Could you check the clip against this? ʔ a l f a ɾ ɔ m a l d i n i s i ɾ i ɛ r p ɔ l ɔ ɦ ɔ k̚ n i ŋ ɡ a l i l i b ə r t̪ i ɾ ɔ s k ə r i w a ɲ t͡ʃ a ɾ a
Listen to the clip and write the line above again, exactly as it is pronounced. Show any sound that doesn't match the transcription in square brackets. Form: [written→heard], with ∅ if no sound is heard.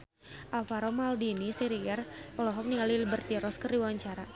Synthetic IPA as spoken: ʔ a l f a ɾ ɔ m a l d i n i s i ɾ i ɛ r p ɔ l ɔ ɦ ɔ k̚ n i ŋ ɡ a l i l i b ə r t̪ i ɾ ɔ s k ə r i w a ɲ t͡ʃ a ɾ a